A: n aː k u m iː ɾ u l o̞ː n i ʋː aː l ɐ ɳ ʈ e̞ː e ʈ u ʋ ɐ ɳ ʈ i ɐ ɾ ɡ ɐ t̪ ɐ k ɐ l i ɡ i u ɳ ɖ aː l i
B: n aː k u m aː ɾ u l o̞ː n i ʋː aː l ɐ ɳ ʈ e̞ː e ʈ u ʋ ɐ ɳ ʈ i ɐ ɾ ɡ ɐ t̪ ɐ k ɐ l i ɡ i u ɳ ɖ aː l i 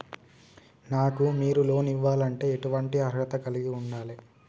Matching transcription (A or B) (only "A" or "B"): A